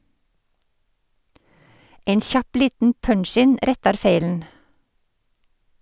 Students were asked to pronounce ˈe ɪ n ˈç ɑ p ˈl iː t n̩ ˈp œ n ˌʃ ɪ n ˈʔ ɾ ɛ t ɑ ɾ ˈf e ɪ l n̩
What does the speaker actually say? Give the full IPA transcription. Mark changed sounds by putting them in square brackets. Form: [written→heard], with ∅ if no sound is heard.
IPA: ˈe ɪ n ˈç ɑ p ˈl iː t n̩ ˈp œ [n→ɳ] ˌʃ ɪ n ˈʔ ɾ ɛ t ɑ ɾ ˈf e ɪ l n̩